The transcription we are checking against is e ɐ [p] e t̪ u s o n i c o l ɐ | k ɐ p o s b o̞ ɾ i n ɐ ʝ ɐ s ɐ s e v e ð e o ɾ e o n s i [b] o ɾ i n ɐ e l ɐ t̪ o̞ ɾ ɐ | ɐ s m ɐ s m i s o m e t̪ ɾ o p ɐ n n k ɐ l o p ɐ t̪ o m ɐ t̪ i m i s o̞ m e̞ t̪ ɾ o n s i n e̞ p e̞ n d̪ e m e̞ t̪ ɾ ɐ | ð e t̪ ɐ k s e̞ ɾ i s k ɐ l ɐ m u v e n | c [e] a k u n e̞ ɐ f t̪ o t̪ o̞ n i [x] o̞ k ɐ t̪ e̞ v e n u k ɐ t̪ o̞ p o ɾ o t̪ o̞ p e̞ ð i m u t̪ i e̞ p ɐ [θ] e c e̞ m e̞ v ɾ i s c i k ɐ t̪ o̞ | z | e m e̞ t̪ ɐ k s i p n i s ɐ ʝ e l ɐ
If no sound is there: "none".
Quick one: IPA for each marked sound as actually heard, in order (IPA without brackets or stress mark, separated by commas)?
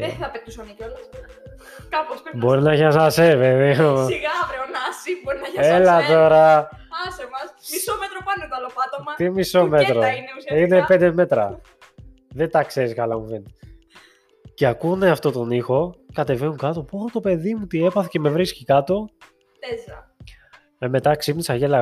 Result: p, b, e, x, θ